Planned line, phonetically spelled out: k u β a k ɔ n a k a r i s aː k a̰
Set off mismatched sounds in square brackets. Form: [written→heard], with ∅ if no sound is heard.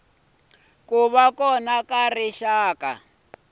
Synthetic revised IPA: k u β a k ɔ n a k a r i [s→ʃ] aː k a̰